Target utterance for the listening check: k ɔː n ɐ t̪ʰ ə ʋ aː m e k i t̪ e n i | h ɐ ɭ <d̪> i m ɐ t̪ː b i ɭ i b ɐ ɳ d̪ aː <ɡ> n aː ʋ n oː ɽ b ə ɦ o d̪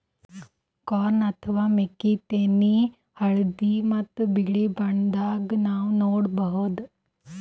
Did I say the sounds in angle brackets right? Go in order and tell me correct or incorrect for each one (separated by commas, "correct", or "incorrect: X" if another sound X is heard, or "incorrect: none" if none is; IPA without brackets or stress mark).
correct, correct